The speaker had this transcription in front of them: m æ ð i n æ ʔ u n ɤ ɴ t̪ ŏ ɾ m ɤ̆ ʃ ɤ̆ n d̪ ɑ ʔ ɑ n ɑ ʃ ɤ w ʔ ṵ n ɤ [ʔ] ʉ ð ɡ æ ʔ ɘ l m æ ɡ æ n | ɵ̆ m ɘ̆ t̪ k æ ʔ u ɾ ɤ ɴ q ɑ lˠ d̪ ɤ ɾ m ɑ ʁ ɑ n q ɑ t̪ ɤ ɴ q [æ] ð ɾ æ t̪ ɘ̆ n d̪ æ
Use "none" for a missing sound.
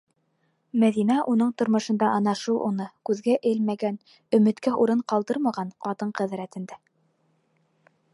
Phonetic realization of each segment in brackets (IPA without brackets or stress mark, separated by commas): k, æ